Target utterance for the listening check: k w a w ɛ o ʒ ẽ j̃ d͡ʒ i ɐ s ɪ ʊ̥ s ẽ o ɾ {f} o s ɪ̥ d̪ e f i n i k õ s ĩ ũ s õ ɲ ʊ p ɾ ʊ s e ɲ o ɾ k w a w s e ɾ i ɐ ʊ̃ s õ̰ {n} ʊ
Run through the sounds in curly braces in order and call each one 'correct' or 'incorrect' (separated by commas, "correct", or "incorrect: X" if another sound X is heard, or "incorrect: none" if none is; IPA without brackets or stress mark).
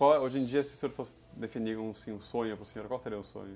correct, incorrect: ɲ